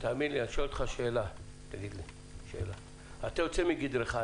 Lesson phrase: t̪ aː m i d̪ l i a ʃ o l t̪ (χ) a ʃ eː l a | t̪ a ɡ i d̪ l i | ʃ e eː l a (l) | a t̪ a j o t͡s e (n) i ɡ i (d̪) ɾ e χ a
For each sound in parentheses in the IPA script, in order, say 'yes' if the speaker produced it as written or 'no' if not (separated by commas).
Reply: yes, no, no, yes